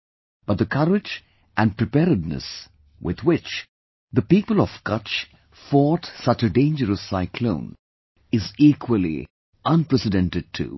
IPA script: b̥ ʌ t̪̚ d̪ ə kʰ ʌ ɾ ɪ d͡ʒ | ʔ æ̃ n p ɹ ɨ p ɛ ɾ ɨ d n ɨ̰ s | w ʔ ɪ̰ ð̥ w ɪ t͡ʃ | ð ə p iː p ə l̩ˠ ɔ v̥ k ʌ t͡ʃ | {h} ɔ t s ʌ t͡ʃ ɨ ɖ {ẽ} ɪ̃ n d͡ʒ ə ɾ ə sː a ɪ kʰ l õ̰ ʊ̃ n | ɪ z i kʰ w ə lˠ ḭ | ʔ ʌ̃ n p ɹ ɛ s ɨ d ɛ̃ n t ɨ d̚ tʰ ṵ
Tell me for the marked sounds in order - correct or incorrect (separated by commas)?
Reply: incorrect, correct